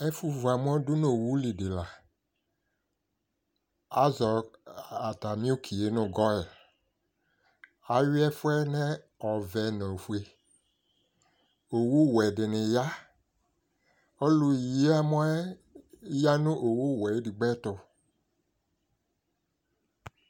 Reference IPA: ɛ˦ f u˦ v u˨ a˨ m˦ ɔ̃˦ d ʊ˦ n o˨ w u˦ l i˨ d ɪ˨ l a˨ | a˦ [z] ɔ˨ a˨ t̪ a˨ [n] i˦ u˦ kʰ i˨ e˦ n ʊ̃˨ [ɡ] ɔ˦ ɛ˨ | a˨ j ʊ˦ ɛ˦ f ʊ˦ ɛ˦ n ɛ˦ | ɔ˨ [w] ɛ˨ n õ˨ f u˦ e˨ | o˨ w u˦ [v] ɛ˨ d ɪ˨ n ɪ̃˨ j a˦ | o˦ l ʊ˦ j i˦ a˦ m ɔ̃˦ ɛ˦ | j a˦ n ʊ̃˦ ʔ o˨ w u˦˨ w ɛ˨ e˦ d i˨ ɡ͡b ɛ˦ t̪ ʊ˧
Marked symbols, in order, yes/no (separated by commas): yes, no, yes, no, no